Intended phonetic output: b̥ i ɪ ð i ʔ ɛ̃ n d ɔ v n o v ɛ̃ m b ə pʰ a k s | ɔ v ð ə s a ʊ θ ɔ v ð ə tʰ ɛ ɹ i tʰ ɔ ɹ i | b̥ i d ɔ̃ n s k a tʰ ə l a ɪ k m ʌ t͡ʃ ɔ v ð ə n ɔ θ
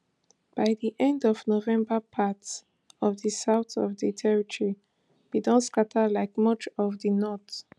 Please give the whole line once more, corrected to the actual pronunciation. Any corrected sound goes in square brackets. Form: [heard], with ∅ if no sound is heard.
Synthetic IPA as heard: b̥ [a] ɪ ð i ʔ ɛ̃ n d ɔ v n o v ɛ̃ m b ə pʰ a [t] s | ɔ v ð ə s a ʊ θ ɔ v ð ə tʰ ɛ ɹ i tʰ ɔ ɹ i | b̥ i d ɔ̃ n s k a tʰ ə l a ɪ k m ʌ t͡ʃ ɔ v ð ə n ɔ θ